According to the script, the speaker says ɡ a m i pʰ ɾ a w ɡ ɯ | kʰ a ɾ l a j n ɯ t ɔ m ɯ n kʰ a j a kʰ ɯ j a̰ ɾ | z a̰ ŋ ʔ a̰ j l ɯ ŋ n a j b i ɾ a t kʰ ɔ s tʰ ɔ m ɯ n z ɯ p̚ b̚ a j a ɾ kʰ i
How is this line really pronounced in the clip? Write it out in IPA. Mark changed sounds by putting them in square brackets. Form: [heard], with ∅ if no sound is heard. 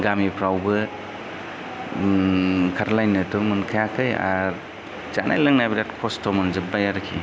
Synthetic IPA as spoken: ɡ a m i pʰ ɾ a w [b] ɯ | kʰ a ɾ l a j n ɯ t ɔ m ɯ n kʰ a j a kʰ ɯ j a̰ ɾ | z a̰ [n] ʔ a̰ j l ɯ ŋ n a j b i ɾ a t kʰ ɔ s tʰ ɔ m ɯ n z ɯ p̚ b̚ a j a ɾ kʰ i